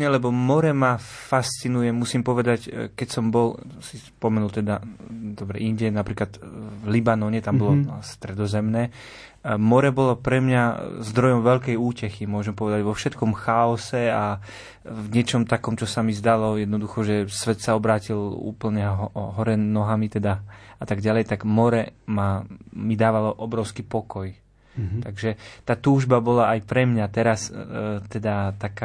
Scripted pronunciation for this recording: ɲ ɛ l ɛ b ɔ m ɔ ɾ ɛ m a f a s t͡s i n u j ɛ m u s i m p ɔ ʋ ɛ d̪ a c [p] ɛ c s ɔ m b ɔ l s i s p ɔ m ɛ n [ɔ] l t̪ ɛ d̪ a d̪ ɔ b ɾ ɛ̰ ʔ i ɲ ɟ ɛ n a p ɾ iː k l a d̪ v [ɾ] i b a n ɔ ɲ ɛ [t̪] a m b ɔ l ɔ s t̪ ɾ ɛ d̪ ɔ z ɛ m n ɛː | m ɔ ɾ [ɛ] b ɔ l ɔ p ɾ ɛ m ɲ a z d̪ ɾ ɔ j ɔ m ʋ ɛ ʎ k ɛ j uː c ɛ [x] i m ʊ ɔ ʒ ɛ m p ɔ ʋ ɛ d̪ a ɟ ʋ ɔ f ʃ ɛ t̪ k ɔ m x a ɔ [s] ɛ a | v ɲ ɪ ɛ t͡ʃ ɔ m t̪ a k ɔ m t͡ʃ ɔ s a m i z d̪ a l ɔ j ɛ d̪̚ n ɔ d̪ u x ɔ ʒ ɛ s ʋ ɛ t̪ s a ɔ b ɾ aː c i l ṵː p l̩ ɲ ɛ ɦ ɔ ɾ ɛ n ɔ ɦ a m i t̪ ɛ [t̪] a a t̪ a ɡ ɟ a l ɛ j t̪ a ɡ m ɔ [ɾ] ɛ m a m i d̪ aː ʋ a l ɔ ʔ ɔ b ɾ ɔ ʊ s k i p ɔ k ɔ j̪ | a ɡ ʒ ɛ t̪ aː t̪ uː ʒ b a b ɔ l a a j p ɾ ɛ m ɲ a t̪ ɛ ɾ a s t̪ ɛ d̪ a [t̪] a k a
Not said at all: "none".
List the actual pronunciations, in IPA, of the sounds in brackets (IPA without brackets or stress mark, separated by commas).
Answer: k, u, l, t̪, ɛ, x, s, d̪, ɾ, t̪